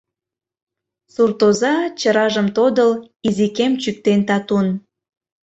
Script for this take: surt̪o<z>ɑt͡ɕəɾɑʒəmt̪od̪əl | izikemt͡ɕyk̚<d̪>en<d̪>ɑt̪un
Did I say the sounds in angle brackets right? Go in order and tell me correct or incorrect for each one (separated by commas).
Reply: correct, incorrect, incorrect